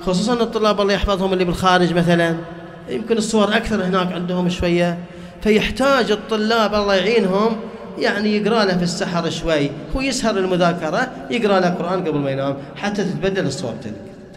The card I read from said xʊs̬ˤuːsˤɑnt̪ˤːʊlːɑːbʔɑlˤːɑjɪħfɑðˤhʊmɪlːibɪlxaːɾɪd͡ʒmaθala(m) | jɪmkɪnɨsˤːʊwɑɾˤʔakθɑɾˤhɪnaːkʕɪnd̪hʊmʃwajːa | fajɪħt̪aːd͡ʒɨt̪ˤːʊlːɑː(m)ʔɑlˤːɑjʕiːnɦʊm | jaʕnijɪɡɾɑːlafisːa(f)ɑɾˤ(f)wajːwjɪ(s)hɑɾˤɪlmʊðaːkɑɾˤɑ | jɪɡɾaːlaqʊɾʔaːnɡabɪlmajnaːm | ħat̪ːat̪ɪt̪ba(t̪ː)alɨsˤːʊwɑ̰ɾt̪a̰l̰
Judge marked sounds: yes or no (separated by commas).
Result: no, no, no, no, yes, no